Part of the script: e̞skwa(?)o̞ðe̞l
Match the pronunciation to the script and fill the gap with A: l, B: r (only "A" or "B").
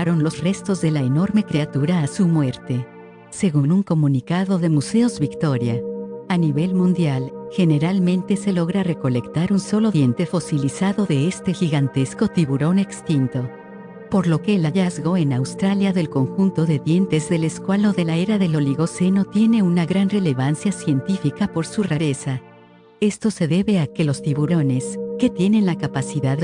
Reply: A